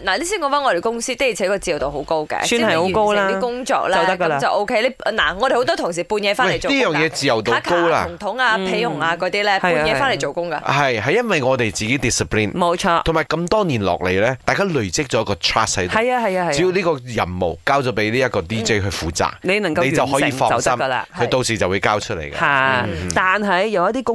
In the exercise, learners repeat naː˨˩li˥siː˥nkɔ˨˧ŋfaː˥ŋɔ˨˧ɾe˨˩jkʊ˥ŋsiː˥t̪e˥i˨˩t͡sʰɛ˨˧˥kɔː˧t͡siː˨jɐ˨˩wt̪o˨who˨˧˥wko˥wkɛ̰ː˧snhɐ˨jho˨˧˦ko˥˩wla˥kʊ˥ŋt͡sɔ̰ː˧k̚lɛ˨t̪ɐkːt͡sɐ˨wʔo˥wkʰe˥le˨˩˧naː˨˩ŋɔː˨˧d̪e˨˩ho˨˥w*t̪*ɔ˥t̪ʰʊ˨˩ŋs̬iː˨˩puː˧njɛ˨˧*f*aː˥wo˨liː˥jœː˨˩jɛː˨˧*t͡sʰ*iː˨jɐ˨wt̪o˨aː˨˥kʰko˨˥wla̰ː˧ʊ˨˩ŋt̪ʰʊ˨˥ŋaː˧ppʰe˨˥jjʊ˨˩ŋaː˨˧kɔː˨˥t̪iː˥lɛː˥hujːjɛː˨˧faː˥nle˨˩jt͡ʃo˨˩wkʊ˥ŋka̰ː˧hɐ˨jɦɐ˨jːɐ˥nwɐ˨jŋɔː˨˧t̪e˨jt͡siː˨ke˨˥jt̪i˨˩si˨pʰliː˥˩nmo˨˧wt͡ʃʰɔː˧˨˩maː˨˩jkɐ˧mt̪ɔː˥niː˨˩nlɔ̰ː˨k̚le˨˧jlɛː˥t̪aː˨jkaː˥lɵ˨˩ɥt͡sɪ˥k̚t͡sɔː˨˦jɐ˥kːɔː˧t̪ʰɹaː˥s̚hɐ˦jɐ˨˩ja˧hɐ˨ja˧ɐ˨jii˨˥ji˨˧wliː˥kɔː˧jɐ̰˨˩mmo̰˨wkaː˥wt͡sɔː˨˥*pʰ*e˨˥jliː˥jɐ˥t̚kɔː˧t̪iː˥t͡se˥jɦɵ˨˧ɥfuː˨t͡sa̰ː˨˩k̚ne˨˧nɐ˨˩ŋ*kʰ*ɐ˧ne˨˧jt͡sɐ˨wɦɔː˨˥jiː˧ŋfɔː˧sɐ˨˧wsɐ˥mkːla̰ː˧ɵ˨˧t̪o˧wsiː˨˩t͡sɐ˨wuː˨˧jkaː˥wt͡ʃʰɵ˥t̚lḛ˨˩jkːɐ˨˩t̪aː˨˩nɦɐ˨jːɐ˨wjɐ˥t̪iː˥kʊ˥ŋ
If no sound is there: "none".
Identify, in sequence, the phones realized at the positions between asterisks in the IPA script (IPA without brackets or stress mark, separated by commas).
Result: t̪, f, t͡s, p, k